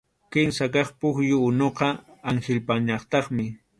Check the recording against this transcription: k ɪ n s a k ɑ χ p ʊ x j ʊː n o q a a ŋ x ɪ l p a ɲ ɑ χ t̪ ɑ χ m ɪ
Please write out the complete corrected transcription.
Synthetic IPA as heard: k ɪ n s a k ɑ χ p ʊ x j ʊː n o q ɑ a ŋ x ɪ l p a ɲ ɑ χ t̪ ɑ χ m ɪ